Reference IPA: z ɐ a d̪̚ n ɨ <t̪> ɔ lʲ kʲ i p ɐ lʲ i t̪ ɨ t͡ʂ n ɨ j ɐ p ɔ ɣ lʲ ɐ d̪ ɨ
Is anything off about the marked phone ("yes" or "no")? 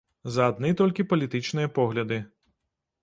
no